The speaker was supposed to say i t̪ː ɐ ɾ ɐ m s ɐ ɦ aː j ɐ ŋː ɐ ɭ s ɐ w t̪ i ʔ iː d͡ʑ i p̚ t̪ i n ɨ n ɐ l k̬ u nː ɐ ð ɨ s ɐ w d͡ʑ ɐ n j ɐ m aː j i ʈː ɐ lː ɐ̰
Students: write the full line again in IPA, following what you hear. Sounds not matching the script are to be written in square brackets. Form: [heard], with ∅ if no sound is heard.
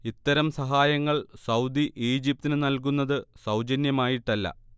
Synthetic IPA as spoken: i t̪ː ɐ ɾ ɐ m s ɐ ɦ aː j ɐ ŋː ɐ ɭ s ɐ w [d̪] i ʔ iː d͡ʑ i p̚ t̪ i n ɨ n ɐ l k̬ u nː ɐ ð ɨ s ɐ w d͡ʑ ɐ n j ɐ m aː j i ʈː ɐ lː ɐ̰